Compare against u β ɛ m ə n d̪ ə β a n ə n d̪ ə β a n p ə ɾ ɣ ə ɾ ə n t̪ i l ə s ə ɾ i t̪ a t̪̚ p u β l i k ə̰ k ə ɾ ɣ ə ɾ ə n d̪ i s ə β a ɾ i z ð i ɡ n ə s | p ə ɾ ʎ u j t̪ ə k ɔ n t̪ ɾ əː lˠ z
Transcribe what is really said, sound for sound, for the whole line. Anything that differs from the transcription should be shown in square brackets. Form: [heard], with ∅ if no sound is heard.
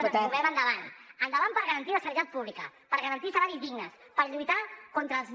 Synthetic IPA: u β ɛ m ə n d̪ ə β a n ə n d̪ ə β a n p ə ɾ ɣ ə ɾ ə n t̪ i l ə s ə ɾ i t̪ a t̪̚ p u β l i k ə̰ [p] ə ɾ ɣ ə ɾ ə n [t̪] i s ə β a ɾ i z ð i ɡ n ə s | p ə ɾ ʎ u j t̪ [a] k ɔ n t̪ ɾ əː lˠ z